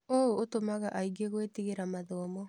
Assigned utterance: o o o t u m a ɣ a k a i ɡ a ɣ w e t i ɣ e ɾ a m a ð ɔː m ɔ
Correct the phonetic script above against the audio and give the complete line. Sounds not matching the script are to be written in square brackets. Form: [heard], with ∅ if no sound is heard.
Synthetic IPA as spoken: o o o t [o] m a ɣ a [ʔ] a i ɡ [e] ɣ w e t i ɣ e ɾ a m a ð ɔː m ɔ